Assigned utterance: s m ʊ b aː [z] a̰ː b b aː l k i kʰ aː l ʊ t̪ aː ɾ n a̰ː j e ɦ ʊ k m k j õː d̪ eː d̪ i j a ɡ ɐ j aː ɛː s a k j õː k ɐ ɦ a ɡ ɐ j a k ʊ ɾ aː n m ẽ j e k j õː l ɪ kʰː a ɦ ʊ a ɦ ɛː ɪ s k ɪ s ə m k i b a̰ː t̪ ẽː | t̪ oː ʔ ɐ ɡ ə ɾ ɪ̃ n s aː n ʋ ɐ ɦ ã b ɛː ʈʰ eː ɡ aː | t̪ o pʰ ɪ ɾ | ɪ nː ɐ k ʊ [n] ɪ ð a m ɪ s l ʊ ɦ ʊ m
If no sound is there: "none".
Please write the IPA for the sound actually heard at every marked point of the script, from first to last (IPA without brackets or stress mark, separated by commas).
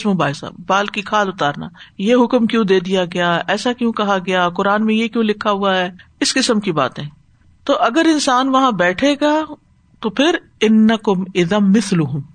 s, m